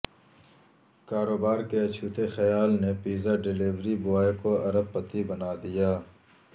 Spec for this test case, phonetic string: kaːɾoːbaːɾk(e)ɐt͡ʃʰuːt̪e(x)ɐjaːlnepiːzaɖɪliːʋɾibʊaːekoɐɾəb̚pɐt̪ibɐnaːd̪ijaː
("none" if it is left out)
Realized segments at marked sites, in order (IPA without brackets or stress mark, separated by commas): e, x